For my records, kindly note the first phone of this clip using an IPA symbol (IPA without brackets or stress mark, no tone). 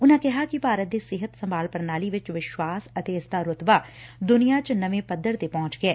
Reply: ʊ